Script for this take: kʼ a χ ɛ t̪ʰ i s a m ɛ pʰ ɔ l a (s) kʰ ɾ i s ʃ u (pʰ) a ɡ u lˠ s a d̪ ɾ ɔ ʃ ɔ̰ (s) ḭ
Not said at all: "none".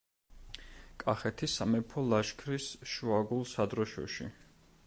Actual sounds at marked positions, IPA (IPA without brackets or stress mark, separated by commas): ʃ, none, ʃ